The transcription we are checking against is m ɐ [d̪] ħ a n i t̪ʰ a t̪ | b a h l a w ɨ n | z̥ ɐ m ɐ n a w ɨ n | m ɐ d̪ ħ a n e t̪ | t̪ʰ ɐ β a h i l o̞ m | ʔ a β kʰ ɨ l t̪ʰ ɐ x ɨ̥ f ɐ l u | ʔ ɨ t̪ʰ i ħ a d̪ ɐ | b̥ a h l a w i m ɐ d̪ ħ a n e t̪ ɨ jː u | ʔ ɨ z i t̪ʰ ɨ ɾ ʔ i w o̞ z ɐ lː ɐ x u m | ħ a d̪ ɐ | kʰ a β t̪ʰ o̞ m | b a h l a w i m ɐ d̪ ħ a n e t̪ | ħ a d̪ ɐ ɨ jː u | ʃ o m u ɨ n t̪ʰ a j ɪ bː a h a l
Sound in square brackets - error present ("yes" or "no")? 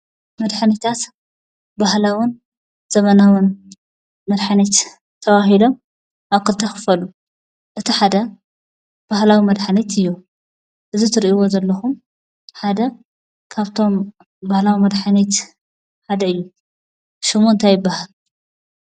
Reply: no